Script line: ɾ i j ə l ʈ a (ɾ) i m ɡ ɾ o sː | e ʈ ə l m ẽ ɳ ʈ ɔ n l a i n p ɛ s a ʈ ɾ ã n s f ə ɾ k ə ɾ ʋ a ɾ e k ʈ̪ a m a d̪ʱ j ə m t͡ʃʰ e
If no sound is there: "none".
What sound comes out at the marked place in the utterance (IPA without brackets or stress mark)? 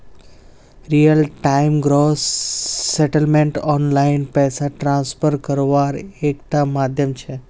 none